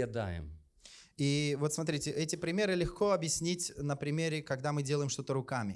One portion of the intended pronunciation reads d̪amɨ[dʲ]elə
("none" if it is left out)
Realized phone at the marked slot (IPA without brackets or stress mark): dʲ